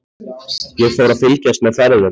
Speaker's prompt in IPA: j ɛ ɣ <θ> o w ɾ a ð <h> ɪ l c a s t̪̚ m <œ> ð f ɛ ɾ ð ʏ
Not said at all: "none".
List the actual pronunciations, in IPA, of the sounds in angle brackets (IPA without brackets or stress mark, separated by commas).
f, f, ɛ